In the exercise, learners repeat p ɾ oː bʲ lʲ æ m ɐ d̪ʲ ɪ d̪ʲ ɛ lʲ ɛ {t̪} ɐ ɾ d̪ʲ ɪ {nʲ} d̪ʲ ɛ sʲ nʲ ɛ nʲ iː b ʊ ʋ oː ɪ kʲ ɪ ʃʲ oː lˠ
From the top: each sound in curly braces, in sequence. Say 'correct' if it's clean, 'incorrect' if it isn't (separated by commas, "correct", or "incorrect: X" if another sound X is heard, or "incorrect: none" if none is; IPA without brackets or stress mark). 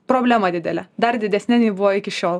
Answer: incorrect: d̪, incorrect: none